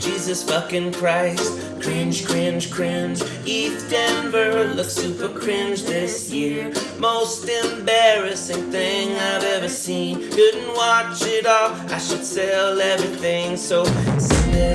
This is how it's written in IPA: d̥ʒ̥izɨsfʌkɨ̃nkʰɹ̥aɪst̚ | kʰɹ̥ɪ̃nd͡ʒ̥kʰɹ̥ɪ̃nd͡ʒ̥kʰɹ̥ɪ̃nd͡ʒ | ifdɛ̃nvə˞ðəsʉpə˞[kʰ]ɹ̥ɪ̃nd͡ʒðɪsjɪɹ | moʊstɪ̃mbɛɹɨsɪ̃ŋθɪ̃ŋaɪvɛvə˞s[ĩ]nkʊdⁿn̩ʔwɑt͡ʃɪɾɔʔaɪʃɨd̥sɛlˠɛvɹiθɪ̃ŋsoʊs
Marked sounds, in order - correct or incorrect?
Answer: correct, correct

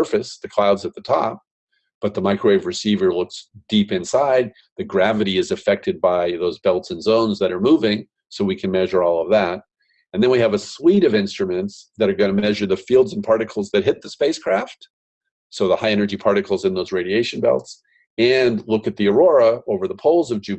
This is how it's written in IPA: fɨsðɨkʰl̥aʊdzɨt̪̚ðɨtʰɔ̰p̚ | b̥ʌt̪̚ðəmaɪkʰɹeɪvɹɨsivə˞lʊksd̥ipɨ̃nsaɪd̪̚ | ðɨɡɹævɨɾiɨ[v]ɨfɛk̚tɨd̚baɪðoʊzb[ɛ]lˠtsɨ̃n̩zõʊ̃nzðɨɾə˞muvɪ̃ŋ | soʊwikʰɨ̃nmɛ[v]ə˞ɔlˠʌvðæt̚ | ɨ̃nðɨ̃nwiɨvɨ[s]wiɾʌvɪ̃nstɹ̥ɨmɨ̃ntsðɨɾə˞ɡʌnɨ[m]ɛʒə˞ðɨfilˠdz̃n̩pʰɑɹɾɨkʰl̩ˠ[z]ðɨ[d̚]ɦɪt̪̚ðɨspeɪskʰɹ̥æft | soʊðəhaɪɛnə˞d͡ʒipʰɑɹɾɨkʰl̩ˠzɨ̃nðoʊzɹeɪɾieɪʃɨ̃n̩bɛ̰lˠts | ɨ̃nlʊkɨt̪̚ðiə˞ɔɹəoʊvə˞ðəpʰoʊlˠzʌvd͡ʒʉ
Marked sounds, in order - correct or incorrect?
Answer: incorrect: z, correct, incorrect: ʒ, correct, correct, correct, incorrect: t̚

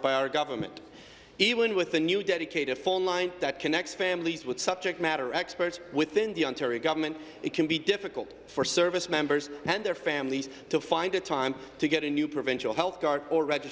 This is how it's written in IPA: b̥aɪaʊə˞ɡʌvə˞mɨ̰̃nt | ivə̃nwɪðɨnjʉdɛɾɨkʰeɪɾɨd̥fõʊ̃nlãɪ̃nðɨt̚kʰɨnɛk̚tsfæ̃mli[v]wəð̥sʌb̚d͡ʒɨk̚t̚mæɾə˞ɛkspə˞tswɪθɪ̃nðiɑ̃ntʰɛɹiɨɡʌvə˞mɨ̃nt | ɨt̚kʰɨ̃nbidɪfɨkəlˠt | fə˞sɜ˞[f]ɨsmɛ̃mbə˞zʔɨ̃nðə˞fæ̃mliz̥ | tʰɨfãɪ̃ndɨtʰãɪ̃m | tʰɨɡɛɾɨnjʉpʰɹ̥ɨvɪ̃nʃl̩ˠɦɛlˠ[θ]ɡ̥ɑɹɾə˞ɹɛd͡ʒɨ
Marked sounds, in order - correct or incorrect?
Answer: incorrect: z, incorrect: v, correct

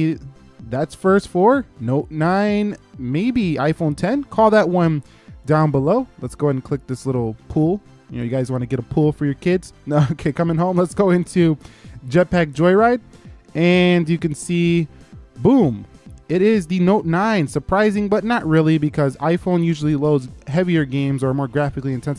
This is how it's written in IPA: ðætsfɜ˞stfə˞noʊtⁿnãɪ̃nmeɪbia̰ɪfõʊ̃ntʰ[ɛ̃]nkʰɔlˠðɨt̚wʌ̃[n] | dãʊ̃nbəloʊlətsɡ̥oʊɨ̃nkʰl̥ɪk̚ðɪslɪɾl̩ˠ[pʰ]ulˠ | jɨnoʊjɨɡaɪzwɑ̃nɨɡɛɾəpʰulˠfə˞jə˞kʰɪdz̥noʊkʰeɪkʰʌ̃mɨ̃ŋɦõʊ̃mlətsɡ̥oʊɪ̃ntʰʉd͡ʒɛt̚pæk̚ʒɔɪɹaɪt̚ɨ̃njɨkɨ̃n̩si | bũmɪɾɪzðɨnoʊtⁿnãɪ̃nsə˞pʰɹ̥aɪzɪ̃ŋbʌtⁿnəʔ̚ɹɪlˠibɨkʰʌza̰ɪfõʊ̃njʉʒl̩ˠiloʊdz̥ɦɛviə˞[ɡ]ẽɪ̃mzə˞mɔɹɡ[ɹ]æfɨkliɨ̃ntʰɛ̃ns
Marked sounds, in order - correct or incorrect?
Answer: correct, correct, correct, correct, correct

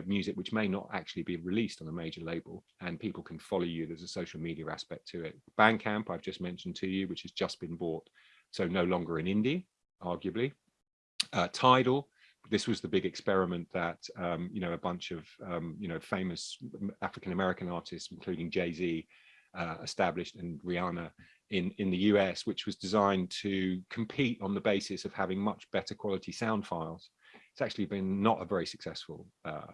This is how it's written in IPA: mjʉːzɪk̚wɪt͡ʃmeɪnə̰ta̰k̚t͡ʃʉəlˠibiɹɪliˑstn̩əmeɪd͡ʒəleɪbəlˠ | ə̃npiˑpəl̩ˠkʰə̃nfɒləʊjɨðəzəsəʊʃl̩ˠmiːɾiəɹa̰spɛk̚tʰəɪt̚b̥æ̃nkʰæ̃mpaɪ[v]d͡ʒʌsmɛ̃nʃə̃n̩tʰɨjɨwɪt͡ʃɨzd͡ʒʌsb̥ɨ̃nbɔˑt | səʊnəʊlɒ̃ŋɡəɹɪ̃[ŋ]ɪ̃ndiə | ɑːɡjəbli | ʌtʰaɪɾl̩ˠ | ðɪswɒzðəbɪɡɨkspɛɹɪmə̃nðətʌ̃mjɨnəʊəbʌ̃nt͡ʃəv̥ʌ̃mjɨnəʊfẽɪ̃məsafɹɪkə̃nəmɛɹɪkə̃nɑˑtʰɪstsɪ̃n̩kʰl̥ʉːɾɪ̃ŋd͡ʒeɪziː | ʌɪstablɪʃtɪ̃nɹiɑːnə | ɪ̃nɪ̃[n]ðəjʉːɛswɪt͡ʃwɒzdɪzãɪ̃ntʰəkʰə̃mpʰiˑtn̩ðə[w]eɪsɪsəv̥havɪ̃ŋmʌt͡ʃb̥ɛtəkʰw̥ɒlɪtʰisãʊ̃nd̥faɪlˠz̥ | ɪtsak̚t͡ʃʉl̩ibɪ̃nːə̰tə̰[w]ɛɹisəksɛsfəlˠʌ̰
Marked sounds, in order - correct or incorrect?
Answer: correct, incorrect: n, correct, incorrect: b, incorrect: v

